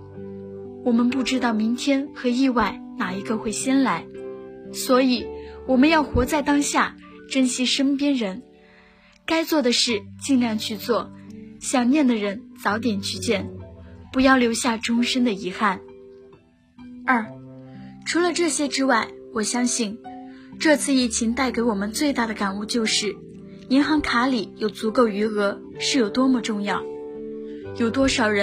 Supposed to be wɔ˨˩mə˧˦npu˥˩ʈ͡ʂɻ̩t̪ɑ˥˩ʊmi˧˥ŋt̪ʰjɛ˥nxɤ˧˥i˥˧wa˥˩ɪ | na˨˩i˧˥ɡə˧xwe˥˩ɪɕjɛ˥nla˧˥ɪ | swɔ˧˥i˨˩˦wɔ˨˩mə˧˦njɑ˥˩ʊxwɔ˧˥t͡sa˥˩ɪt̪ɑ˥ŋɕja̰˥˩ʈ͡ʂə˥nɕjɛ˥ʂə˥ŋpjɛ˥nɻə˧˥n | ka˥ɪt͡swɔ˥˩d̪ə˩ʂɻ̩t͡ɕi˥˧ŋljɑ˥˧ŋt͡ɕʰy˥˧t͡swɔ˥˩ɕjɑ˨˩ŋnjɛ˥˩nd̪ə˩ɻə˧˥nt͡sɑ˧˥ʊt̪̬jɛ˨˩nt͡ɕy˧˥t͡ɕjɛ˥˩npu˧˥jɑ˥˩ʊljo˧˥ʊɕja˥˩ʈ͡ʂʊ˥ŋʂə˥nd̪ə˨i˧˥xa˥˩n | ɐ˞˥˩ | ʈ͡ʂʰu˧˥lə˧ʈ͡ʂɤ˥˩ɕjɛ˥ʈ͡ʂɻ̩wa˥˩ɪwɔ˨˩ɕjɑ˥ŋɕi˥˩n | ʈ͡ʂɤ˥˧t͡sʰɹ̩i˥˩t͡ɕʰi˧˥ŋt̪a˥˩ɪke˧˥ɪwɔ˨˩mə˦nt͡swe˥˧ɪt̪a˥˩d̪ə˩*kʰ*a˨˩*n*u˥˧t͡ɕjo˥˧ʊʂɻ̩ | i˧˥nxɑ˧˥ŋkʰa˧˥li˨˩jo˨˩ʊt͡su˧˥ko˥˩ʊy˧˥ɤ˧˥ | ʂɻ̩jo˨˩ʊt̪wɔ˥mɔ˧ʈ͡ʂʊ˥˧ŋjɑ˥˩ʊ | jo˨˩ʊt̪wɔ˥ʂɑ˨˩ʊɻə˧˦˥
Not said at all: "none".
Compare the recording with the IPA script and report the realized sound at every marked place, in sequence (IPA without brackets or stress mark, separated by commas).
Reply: k, n